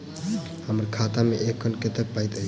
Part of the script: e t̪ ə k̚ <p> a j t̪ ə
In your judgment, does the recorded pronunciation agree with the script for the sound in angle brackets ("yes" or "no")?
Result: yes